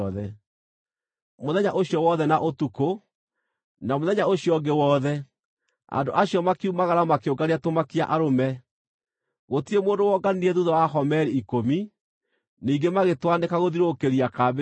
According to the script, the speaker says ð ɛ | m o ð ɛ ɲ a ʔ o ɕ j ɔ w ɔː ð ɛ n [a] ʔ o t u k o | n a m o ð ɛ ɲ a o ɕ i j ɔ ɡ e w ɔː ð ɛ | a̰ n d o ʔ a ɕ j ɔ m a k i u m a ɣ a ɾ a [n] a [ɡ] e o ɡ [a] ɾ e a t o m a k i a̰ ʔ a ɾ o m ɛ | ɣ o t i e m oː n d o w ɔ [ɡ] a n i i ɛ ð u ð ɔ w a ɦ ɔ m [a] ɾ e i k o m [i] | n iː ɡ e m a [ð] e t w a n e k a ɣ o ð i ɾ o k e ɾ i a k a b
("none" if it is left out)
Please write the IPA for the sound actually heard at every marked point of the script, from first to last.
a, m, k, a, ɡ, ɛ, i, ɣ

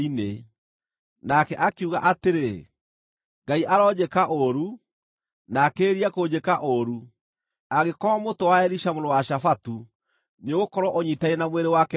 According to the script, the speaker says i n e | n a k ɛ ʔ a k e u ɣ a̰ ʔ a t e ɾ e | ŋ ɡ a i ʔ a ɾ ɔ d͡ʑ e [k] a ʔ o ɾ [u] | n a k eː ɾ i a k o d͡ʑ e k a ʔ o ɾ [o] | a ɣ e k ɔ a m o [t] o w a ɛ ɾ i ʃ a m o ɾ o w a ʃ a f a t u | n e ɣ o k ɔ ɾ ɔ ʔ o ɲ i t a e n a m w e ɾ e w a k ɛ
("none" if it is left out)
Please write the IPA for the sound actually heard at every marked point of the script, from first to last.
k, u, u, t

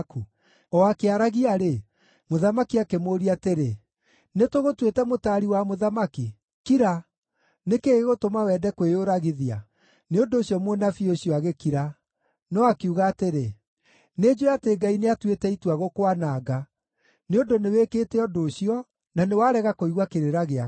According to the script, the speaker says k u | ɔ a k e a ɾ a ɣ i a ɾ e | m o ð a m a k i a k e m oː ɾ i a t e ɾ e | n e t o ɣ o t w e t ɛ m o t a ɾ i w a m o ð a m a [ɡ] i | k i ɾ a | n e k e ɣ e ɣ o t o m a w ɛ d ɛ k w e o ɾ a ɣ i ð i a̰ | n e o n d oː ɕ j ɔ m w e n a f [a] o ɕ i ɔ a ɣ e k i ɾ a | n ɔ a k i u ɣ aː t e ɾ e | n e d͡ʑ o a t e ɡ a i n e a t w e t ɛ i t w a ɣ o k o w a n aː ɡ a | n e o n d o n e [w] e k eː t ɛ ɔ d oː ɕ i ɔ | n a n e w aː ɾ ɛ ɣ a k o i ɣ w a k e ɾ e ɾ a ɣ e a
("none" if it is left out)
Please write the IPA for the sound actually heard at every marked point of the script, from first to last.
k, i, w

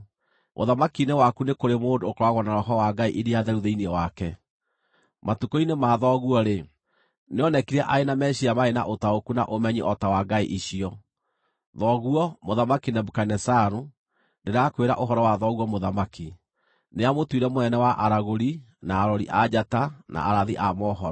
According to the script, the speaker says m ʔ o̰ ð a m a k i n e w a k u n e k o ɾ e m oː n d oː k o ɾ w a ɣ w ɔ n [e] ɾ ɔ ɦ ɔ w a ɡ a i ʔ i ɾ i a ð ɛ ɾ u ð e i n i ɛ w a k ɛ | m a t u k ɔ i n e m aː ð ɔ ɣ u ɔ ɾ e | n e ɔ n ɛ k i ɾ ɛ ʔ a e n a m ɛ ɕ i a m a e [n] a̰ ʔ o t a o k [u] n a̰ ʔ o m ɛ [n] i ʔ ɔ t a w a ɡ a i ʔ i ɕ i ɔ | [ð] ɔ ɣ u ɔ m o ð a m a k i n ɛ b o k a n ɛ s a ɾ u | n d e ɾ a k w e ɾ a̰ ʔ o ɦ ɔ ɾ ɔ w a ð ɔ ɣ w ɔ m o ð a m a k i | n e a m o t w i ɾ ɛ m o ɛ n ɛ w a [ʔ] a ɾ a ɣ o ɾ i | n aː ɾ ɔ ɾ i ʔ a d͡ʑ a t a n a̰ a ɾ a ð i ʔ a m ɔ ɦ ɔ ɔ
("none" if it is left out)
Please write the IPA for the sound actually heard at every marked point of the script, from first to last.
a, n, u, ɲ, ð, ʔ

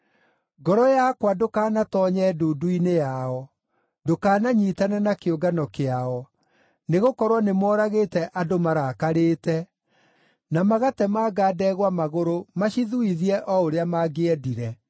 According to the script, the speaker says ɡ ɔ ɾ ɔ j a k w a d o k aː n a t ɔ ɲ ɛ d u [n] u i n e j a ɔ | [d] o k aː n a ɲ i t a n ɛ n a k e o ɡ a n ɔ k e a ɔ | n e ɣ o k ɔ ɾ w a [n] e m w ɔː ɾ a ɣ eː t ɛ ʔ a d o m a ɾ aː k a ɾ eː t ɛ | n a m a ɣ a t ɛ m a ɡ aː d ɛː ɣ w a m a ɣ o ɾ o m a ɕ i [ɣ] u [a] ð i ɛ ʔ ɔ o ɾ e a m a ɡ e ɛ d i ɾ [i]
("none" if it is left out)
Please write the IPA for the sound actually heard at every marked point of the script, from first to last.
d, d, n, ð, i, ɛ

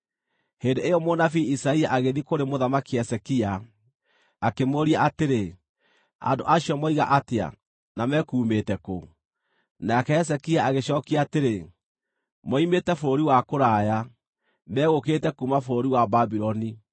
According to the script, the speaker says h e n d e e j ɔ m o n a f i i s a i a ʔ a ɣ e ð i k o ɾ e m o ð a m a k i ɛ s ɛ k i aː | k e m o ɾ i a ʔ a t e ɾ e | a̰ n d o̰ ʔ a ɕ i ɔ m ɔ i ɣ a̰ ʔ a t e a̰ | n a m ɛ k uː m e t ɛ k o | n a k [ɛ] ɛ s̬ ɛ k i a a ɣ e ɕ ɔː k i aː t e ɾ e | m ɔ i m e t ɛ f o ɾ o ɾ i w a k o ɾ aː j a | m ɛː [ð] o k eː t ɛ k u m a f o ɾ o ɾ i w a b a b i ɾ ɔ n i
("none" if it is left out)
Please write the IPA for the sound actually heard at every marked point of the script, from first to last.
ɛ, ɣ

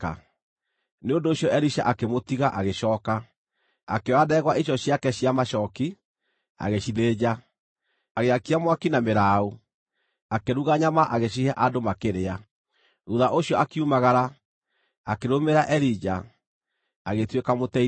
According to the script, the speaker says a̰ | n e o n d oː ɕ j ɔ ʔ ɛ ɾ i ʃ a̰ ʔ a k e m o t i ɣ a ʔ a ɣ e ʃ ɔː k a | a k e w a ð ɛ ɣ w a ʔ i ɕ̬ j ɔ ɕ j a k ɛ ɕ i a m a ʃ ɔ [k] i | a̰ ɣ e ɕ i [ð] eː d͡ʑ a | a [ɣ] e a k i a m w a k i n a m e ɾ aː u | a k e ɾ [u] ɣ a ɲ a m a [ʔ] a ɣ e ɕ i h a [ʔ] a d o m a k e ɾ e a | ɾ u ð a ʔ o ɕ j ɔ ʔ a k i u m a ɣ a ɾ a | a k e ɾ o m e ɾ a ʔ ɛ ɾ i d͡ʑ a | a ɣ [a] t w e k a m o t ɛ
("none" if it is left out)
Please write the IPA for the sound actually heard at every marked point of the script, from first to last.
k, ð, ɣ, u, ʔ, ʔ, e

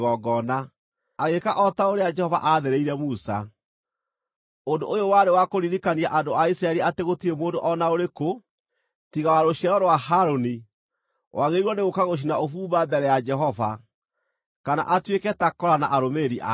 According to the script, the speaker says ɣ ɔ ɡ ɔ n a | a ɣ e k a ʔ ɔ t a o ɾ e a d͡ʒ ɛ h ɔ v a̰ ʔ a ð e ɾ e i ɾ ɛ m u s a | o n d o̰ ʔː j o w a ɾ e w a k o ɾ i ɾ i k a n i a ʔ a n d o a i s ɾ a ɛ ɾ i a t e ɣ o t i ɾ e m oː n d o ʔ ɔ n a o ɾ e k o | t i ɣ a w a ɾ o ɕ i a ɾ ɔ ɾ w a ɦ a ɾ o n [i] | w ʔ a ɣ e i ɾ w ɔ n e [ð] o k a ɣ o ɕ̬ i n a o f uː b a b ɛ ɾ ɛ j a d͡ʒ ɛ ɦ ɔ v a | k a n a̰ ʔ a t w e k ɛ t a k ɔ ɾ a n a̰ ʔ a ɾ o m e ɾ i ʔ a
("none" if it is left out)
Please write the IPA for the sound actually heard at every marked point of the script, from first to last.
i, ɣ

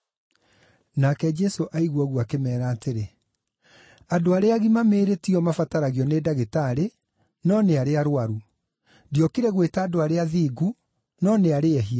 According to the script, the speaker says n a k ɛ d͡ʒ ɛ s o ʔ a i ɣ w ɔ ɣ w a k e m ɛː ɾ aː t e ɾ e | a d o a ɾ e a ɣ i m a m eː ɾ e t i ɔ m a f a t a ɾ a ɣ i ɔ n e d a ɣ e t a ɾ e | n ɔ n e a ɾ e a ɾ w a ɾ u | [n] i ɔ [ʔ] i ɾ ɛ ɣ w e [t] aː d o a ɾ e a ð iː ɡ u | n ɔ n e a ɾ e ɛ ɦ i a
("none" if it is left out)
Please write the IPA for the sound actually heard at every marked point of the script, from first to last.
d, k, t

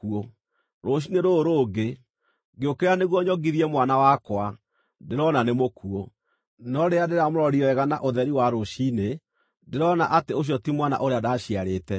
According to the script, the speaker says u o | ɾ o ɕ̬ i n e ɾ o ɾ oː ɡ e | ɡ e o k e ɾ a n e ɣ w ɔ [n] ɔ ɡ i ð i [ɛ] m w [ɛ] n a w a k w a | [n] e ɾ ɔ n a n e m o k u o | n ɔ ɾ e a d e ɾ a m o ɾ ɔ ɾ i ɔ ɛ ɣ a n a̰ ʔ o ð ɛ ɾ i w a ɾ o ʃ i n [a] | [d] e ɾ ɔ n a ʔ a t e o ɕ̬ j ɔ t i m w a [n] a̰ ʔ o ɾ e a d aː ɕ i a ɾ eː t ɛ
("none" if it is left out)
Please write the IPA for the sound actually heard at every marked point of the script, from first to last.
ɲ, ɛ, a, d, e, d, n

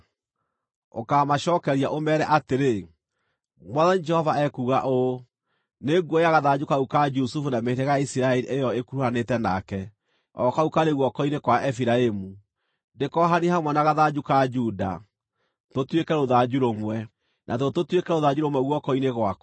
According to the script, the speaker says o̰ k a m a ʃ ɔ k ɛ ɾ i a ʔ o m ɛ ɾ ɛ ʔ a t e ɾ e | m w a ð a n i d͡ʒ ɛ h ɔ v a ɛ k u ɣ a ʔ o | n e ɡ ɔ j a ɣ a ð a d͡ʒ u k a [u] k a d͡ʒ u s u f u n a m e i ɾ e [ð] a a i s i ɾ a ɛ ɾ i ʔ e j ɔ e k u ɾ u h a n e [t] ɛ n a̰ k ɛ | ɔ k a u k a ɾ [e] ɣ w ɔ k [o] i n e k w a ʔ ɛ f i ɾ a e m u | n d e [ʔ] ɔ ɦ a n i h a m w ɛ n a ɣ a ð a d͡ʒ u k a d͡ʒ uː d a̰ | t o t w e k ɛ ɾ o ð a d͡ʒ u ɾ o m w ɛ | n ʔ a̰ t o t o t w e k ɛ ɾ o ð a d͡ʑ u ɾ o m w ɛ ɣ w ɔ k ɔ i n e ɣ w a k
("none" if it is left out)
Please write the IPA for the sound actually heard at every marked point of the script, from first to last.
u, ɣ, t, e, ɔ, k

